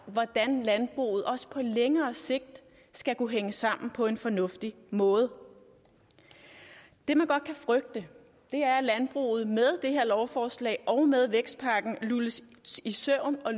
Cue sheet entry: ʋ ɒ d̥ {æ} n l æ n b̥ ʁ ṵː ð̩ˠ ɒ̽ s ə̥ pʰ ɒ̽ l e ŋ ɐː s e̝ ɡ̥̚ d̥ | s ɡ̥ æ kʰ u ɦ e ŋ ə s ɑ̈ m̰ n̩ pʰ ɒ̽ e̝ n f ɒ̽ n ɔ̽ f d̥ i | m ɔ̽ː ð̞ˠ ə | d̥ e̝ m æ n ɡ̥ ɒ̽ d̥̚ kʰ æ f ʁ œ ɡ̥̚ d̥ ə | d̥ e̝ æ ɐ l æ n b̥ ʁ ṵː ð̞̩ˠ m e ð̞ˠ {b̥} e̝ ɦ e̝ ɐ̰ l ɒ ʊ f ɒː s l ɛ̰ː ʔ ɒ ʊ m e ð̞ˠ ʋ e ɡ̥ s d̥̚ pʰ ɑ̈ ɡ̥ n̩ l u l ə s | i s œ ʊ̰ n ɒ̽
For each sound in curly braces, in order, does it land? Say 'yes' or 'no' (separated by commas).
yes, no